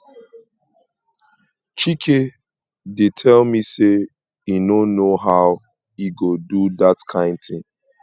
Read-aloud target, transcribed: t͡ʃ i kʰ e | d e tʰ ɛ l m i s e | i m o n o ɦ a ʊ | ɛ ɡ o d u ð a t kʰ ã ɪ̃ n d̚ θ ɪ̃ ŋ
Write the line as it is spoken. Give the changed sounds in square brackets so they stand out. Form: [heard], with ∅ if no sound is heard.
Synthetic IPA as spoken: t͡ʃ i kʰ e | d e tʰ ɛ l m i s e | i [n] o n o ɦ a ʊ | [i] ɡ o d u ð a t kʰ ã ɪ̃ n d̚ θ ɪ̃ ŋ